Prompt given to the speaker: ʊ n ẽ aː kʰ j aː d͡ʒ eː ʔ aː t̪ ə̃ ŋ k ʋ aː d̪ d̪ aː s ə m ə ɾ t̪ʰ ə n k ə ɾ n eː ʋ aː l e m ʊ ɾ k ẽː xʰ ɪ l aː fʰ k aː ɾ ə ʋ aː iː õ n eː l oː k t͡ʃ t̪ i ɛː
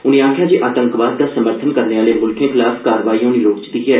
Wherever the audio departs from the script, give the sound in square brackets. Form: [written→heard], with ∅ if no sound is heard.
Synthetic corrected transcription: ʊ n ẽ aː kʰ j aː d͡ʒ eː ʔ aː t̪ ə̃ ŋ k ʋ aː d̪ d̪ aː s ə m ə ɾ t̪ʰ ə n k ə ɾ n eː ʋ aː l e m ʊ [ɾ→l] k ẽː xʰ ɪ l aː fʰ k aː ɾ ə ʋ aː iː õ n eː l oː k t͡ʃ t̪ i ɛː